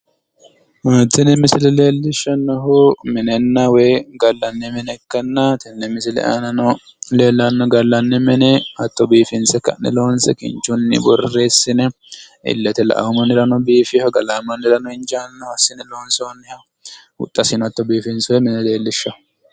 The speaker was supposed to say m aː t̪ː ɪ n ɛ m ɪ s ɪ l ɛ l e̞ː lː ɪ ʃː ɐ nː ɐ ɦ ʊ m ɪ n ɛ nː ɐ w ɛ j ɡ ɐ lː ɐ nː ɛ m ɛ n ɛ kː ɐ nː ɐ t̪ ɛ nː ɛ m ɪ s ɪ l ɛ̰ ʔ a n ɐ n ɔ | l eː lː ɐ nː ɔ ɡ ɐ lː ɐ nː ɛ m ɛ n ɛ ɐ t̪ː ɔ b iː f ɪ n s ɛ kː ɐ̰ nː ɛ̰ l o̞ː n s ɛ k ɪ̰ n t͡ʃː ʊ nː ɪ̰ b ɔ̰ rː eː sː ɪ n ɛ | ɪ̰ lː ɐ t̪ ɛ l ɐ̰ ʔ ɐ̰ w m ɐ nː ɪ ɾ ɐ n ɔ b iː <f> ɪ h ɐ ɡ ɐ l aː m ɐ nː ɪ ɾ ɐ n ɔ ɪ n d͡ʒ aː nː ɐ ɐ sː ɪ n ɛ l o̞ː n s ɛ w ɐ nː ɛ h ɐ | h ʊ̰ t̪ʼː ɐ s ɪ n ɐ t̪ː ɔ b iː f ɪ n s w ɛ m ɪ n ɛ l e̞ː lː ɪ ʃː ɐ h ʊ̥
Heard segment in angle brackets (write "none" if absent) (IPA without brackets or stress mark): f